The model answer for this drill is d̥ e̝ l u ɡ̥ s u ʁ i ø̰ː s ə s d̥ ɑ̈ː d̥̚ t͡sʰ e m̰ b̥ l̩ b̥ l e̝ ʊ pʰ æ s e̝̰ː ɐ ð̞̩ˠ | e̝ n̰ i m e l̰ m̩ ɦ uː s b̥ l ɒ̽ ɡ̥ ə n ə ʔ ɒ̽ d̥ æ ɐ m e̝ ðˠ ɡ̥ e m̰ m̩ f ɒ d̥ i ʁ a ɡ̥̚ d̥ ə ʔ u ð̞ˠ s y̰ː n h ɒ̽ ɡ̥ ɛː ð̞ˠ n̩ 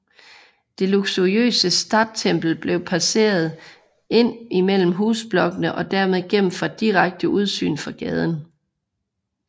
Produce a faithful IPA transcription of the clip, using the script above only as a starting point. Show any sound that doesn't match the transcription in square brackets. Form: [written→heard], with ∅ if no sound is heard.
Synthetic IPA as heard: d̥ e̝ l u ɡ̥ s u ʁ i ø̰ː s ə s d̥ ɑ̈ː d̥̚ t͡sʰ e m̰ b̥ l̩ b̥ l e̝ ʊ pʰ æ s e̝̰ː ɐ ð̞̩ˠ | e̝ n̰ i m e l̰ m̩ ɦ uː s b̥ l ɒ̽ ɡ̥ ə n ə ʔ ɒ̽ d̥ æ ɐ m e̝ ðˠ ɡ̥ e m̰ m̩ f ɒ d̥ i ʁ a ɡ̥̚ d̥ ə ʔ u ð̞ˠ s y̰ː n [h→f] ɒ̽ ɡ̥ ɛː ð̞ˠ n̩